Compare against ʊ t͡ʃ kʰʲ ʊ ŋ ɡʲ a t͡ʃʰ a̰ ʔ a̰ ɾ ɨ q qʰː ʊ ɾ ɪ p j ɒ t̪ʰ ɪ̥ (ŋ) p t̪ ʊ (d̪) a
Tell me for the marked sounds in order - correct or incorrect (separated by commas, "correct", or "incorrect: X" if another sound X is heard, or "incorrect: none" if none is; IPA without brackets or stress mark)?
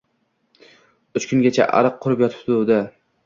incorrect: none, correct